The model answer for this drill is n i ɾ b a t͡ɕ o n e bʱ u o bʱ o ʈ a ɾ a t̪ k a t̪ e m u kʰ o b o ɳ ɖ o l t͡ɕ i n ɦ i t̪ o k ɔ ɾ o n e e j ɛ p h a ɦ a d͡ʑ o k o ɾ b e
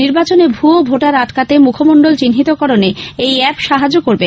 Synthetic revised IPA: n i ɾ b a t͡ɕ o n e bʱ u o bʱ o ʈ a ɾ a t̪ k a t̪ e m u kʰ o m o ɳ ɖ o l t͡ɕ i n ɦ i t̪ o k ɔ ɾ o n e e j ɛ p ʃ a ɦ a d͡ʑ o k o ɾ b e